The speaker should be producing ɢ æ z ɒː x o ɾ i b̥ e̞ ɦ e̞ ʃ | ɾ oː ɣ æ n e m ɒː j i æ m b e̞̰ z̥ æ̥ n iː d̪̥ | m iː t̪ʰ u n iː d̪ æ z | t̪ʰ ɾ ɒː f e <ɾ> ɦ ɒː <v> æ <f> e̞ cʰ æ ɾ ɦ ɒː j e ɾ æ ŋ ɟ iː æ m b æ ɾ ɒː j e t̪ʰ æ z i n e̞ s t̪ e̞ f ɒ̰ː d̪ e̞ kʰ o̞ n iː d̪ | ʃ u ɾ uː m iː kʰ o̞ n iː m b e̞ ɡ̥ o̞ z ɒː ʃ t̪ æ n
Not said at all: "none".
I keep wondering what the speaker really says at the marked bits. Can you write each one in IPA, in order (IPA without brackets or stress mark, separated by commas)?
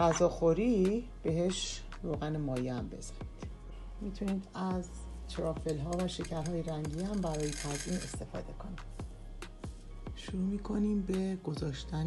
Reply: l, v, ʃ